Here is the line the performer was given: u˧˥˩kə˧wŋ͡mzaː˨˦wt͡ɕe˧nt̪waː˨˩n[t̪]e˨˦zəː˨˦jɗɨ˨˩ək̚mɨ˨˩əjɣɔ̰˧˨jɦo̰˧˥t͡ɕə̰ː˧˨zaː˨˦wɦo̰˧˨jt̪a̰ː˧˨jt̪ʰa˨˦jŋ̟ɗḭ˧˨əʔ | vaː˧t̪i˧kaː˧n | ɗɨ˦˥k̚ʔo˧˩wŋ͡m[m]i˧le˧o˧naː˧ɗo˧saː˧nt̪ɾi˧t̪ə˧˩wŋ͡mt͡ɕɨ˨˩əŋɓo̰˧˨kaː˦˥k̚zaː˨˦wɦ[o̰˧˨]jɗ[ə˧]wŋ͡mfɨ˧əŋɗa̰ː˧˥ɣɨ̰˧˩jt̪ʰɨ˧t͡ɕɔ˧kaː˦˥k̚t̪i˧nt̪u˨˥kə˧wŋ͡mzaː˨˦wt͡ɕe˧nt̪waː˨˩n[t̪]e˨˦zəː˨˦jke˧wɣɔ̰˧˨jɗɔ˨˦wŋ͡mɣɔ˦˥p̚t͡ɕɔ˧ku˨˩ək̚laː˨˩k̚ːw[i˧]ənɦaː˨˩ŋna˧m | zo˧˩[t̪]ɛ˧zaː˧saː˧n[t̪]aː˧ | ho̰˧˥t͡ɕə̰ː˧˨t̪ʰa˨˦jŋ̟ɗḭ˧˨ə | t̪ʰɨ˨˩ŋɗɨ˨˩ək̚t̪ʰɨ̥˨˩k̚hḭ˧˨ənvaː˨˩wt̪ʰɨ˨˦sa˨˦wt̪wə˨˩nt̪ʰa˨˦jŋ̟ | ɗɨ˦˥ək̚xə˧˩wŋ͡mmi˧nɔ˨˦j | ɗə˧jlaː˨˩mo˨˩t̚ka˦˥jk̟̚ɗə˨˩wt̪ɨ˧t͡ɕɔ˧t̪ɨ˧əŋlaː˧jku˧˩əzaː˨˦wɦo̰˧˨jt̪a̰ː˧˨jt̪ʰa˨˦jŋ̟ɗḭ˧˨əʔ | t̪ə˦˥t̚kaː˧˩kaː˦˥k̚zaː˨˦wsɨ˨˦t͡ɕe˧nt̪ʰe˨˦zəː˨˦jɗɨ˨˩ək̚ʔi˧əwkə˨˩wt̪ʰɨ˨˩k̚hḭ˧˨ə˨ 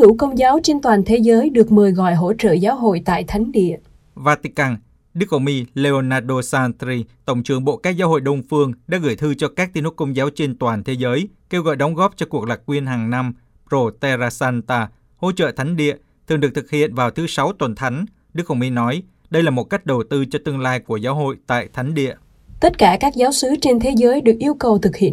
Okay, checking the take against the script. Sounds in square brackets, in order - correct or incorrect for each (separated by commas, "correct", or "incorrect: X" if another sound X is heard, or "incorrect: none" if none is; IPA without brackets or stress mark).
incorrect: t̪ʰ, correct, correct, correct, incorrect: t̪ʰ, correct, correct, correct